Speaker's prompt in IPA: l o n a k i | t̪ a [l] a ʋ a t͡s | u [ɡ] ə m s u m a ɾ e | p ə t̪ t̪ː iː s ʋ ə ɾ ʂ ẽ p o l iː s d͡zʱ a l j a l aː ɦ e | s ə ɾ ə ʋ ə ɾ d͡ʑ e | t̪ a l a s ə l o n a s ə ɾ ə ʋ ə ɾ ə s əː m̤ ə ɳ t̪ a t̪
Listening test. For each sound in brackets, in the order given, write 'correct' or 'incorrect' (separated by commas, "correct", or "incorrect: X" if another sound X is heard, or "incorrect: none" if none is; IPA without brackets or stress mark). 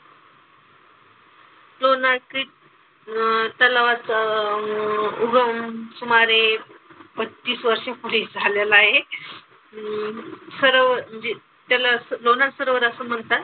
correct, correct